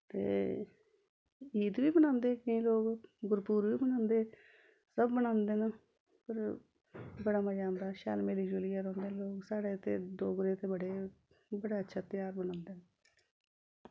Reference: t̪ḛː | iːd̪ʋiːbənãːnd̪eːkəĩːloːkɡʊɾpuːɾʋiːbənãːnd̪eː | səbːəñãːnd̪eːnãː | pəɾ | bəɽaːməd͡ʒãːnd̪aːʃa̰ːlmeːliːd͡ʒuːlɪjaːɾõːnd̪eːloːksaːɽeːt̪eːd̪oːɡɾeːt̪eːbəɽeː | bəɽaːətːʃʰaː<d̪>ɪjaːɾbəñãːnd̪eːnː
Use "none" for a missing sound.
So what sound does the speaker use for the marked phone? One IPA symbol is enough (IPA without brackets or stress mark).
t̪